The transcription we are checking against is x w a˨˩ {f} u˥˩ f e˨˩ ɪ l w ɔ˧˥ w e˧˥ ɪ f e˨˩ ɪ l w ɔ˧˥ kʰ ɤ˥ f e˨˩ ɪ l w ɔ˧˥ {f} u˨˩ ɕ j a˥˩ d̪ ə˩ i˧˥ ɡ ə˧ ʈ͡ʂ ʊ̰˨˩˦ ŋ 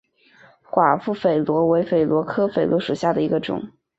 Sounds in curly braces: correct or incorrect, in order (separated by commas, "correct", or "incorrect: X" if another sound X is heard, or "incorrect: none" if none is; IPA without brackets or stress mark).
correct, incorrect: ʂ